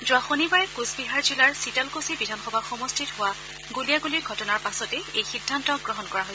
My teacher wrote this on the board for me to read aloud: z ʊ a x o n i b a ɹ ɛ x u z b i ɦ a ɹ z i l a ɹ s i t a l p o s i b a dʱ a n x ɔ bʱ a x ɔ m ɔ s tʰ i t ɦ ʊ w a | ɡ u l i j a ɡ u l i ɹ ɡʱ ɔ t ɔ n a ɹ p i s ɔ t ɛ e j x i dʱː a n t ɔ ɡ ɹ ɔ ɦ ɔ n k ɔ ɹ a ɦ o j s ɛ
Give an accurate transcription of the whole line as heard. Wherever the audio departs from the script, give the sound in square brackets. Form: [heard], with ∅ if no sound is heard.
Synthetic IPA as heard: z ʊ a x o n i b a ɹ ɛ [k] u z b i ɦ a ɹ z i l a ɹ s i t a l [k] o s i b [i] dʱ a n x ɔ bʱ a x ɔ m ɔ s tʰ i t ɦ ʊ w a | ɡ u l i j a ɡ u l i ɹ ɡʱ ɔ t ɔ n a ɹ p [a] s ɔ t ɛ e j x i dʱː a n t ɔ ɡ ɹ ɔ ɦ ɔ n k ɔ ɹ a ɦ o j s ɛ

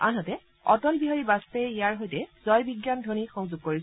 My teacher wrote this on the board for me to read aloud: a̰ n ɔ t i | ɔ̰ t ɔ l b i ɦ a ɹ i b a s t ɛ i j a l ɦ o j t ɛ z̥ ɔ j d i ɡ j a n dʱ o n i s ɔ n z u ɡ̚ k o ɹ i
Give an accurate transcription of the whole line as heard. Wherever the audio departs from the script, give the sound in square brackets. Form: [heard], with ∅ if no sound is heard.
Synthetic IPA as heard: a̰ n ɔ t [ɛ] | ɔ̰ t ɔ l b i ɦ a ɹ i b a s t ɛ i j a [ɹ] ɦ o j t ɛ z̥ ɔ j [b] i ɡ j a n dʱ o n i [x] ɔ [ŋ] z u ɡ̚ k o ɹ i

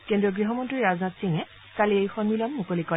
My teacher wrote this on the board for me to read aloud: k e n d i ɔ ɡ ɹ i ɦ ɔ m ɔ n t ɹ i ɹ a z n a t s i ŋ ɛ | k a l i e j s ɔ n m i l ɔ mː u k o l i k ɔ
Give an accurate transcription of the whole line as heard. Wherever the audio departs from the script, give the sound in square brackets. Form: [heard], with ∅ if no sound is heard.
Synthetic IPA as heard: k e n d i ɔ ɡ ɹ i ɦ ɔ m ɔ n t ɹ i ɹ a z n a t s i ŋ ɛ | k a l i e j [x] ɔ n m i l ɔ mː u k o l i k ɔ

